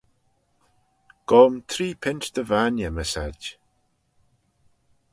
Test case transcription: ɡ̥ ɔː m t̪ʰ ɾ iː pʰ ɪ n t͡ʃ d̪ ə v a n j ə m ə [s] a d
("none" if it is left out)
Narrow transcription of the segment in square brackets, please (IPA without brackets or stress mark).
s